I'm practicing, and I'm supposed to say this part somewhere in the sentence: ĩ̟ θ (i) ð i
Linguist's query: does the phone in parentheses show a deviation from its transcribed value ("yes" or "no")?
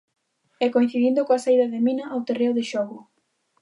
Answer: no